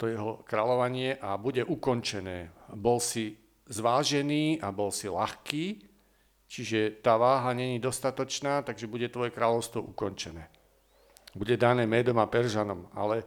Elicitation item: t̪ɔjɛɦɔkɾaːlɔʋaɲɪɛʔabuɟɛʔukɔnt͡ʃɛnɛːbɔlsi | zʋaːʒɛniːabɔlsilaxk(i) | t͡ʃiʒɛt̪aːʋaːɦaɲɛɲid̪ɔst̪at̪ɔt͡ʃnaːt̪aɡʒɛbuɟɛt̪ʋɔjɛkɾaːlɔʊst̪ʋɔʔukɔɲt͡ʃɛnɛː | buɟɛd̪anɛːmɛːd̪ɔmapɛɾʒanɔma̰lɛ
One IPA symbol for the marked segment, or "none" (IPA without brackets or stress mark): iː